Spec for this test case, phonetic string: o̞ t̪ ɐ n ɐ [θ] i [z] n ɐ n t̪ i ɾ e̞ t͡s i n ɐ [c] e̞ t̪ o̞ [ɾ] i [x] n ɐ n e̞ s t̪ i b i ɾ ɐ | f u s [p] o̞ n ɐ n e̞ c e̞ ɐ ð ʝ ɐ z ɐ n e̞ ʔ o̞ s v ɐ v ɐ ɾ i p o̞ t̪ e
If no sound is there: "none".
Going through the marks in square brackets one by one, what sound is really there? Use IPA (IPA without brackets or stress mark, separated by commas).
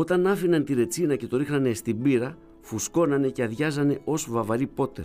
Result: f, none, c, ɾ, x, k